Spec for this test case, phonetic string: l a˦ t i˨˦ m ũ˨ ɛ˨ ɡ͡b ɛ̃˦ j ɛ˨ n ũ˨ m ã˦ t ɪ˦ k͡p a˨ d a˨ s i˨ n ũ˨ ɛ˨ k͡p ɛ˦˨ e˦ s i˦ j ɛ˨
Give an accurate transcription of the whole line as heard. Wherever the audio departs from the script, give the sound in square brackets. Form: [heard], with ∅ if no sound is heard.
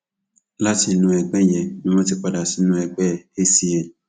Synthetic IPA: l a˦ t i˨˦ [n] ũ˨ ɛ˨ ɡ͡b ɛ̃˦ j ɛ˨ n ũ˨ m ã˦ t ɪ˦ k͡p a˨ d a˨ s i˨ n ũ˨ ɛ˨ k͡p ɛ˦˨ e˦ s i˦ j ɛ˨